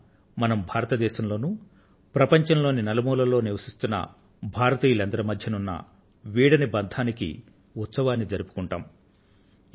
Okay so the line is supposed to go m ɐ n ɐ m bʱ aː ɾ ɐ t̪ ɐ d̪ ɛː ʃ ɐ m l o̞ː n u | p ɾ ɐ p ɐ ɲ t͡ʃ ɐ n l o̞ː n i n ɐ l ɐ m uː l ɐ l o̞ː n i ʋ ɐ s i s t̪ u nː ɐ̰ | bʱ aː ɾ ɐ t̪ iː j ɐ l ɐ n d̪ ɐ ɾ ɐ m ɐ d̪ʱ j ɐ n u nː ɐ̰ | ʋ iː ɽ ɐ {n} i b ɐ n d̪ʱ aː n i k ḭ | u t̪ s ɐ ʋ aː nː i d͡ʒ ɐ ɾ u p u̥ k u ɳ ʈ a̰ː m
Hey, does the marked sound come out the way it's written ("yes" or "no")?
yes